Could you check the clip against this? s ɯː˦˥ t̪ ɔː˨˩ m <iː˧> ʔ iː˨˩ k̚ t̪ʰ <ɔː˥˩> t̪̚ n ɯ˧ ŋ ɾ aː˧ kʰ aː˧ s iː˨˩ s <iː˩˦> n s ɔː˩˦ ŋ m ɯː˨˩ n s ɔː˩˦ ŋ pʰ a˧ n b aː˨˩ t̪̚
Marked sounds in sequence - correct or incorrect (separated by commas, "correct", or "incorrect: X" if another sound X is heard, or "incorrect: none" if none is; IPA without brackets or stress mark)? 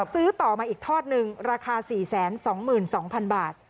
incorrect: aː˧, correct, incorrect: ɛː˩˦